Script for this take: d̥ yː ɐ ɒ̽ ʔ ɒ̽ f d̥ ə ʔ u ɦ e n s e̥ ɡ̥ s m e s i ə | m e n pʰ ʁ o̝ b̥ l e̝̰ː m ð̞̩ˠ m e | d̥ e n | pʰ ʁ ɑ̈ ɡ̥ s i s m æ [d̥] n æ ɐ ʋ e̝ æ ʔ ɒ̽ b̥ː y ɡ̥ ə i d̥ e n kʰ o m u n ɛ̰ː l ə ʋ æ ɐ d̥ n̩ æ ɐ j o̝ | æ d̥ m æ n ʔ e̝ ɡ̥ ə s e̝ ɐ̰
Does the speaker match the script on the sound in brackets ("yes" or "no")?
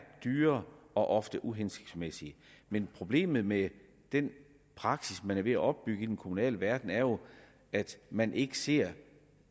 no